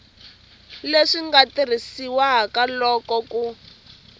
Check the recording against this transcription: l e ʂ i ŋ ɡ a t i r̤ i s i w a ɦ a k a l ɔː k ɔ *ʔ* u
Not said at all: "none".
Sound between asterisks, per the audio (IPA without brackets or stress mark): k